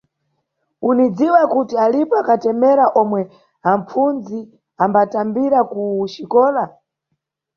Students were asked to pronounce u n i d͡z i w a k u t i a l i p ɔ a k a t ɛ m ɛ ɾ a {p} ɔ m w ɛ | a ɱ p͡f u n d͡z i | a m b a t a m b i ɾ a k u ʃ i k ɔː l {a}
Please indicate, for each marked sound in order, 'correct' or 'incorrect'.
incorrect: ʔ, correct

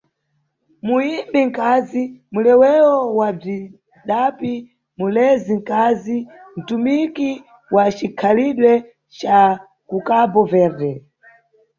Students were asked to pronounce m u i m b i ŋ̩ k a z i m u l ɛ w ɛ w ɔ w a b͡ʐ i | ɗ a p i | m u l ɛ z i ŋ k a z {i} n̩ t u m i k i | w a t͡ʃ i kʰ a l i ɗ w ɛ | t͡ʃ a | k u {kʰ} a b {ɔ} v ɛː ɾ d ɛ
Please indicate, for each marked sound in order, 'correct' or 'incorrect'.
correct, incorrect: k, correct

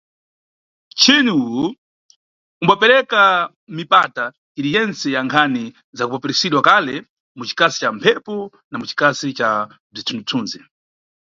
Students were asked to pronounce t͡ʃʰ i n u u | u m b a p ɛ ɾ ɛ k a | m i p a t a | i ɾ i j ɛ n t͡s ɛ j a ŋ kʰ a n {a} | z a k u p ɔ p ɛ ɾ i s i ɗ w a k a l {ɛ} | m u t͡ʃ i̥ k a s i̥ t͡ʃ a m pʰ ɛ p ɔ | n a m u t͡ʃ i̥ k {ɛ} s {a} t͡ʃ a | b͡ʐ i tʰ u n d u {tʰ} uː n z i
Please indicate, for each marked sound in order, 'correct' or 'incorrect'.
incorrect: i, correct, incorrect: a, incorrect: i, correct

